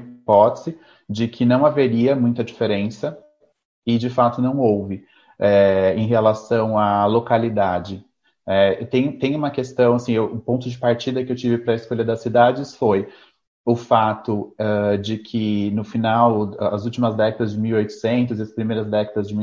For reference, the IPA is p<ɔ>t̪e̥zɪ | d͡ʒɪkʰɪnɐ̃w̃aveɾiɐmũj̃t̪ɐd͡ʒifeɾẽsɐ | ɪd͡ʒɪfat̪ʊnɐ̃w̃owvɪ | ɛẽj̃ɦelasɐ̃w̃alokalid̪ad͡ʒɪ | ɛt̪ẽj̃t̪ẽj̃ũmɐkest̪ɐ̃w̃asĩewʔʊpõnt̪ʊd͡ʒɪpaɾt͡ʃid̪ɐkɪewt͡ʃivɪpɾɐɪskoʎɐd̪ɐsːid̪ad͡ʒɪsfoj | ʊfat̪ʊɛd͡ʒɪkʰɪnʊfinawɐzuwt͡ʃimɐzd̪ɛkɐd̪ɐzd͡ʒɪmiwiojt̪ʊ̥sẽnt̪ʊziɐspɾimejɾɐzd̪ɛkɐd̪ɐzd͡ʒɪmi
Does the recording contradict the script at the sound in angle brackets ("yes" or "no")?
no